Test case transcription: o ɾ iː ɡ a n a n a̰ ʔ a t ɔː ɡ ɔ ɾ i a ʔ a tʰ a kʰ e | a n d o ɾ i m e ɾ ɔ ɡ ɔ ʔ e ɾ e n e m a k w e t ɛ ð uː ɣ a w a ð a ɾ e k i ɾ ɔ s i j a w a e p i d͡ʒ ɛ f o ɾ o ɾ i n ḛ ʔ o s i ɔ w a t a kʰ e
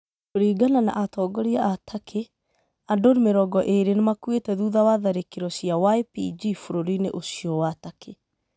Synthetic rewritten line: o ɾ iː ɡ a n a n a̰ ʔ a t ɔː ɡ ɔ ɾ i a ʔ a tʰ a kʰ e | a n d o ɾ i m e ɾ ɔ ɡ ɔ ʔ e ɾ e n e m a k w e t ɛ ð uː ð a w a ð a ɾ e k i ɾ ɔ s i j a w a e p i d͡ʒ i f o ɾ o ɾ i n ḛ ʔ o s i ɔ w a t a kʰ e